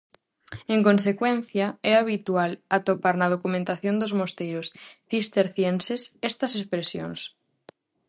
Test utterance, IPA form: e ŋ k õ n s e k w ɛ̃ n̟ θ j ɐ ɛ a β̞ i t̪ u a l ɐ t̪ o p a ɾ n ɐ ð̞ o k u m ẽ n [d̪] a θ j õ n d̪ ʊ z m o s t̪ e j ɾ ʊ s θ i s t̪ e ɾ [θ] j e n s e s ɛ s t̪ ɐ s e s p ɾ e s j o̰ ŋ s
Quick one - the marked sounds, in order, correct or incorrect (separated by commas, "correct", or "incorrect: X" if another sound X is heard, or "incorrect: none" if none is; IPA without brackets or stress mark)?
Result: incorrect: t̪, correct